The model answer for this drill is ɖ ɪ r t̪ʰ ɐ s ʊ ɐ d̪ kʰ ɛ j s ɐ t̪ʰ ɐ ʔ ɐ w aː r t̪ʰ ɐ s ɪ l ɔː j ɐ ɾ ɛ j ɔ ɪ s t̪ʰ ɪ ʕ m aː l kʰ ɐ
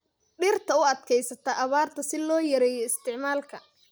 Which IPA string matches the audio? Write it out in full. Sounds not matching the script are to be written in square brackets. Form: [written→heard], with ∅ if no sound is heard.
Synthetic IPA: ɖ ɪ r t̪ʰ ɐ [s→∅] ʊ ɐ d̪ kʰ ɛ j s ɐ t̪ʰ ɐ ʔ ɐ [w→β] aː r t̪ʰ ɐ s ɪ l ɔː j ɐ ɾ ɛ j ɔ ɪ s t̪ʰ ɪ ʕ m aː l kʰ ɐ